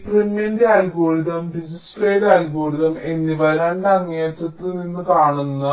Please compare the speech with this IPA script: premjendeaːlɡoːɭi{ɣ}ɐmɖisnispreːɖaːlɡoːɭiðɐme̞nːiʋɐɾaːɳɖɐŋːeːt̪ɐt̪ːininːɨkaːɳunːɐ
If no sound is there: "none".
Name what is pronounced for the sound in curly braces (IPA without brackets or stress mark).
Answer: ð